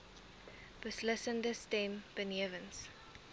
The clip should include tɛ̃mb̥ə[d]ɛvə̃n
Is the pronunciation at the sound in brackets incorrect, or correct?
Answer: incorrect